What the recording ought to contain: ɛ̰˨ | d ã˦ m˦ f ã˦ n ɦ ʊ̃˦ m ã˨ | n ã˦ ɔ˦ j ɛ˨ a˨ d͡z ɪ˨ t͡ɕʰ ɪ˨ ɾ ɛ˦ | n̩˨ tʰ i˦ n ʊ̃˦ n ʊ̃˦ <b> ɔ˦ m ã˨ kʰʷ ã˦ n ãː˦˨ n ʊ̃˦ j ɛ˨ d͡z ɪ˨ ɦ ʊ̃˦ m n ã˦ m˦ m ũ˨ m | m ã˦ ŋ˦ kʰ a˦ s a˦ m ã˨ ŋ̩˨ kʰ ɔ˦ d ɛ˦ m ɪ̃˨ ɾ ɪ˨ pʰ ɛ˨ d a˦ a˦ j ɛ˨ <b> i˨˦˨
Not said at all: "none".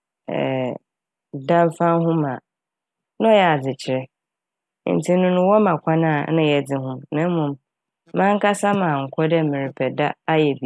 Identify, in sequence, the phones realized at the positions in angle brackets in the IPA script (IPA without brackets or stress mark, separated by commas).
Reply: w, b